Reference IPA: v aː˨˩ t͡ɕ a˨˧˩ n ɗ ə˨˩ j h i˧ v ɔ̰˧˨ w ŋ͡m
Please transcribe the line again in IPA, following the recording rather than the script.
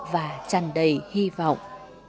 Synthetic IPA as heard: v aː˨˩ t͡ɕ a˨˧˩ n ɗ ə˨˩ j h i˧ v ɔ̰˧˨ w ŋ͡m